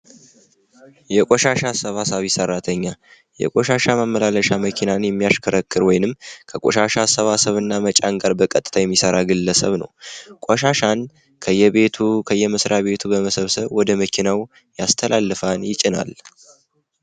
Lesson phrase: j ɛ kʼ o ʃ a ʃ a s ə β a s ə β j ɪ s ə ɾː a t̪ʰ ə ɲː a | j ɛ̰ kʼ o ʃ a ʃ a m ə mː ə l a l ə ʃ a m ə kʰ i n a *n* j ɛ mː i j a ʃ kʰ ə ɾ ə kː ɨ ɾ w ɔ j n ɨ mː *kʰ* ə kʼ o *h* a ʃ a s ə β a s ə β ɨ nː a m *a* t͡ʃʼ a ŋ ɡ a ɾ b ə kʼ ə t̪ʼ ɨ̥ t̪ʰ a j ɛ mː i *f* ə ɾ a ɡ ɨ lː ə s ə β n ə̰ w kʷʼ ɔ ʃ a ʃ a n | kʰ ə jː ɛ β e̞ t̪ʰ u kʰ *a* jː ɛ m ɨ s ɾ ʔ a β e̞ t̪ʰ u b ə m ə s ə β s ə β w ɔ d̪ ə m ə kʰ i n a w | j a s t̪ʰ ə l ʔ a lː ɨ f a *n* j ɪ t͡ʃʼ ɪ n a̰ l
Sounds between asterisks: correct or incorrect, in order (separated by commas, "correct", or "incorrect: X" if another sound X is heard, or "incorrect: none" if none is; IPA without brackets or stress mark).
correct, correct, incorrect: ʃ, incorrect: ə, incorrect: s, incorrect: ə, correct